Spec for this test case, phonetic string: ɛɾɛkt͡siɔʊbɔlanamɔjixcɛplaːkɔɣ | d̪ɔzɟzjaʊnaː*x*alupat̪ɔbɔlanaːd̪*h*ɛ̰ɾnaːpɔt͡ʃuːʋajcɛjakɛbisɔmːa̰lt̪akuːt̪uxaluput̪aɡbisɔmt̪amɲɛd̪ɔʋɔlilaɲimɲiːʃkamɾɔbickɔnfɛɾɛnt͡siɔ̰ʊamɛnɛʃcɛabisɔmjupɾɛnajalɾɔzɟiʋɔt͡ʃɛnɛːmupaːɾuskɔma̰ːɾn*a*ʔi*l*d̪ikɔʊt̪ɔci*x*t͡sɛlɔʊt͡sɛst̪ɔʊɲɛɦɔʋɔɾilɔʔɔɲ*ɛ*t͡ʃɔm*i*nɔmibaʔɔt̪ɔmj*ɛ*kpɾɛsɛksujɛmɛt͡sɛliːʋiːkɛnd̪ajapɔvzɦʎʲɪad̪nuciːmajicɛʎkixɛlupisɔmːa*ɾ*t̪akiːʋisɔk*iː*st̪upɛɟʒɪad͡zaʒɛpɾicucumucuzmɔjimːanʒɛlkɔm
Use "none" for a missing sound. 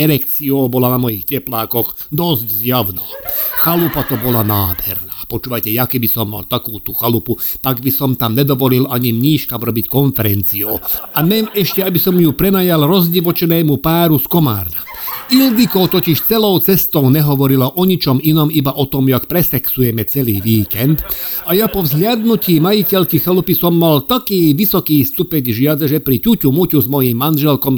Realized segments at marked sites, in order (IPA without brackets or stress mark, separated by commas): x, h, a, l, ʃ, i, i, a, l, iː